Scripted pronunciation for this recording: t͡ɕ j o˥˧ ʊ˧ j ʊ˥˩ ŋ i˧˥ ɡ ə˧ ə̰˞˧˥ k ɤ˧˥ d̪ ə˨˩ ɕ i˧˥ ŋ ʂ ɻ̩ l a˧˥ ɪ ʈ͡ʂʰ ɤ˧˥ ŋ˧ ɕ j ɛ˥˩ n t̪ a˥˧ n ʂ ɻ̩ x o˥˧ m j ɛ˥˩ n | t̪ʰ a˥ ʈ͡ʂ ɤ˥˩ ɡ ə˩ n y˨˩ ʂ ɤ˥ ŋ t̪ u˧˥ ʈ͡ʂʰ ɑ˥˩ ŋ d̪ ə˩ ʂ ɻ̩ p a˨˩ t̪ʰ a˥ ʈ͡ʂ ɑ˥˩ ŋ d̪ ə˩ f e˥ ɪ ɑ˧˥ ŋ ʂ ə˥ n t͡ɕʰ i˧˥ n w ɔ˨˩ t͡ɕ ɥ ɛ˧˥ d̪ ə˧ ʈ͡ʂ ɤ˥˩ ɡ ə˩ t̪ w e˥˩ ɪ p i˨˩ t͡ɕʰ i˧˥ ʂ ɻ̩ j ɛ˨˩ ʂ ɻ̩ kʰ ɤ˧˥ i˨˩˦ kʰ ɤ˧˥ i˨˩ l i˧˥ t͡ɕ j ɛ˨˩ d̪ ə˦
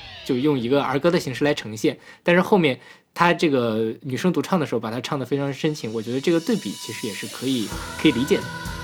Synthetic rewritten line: t͡ɕ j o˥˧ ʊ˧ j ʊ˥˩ ŋ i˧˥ ɡ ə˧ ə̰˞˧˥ k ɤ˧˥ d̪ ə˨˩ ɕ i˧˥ ŋ ʂ ɻ̩ l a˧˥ ɪ ʈ͡ʂʰ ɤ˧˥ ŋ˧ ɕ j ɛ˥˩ n t̪ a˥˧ n ʂ ɻ̩ x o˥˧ m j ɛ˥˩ n | t̪ʰ a˥ ʈ͡ʂ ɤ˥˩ ɡ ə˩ n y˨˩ ʂ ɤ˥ ŋ t̪ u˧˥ ʈ͡ʂʰ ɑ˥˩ ŋ d̪ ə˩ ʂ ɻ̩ p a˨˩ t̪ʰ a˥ ʈ͡ʂʰ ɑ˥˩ ŋ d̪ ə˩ f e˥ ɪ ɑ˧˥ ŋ ʂ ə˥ n t͡ɕʰ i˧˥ ŋ w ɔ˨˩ t͡ɕ ɥ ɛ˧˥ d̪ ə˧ ʈ͡ʂ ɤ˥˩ ɡ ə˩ t̪ w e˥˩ ɪ p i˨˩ t͡ɕʰ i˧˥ ʂ ɻ̩ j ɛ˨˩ ʂ ɻ̩ kʰ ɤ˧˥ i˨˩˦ kʰ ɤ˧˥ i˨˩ l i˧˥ t͡ɕ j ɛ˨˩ d̪ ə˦